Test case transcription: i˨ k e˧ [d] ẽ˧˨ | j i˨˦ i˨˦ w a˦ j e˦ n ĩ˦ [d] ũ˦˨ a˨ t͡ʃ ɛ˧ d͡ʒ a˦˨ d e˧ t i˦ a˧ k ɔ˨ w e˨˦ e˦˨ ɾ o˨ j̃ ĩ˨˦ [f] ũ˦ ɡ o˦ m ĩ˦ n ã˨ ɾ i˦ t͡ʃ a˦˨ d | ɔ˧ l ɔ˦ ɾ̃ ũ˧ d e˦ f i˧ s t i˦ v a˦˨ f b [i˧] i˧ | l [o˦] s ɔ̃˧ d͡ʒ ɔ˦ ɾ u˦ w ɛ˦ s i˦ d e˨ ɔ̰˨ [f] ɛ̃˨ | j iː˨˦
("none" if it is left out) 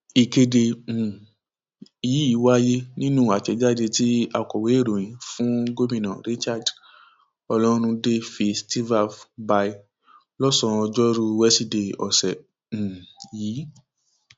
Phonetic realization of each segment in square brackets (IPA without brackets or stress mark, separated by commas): d, n, f, a˧, ɔ˦, s